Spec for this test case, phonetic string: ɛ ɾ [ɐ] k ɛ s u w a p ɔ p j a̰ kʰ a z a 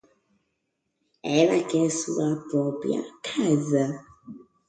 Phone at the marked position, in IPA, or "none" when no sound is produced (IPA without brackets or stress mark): a